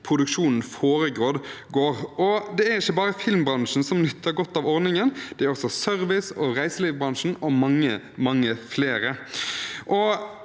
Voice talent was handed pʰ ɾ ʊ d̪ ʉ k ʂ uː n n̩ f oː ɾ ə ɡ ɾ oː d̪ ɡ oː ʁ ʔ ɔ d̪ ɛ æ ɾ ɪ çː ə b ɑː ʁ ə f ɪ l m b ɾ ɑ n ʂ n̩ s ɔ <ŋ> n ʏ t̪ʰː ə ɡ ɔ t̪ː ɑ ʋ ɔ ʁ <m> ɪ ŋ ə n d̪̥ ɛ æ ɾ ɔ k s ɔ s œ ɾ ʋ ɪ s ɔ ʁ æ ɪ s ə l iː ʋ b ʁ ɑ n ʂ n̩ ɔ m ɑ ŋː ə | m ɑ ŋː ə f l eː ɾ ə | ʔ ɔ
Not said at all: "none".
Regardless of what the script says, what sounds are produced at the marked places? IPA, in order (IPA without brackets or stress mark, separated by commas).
m, n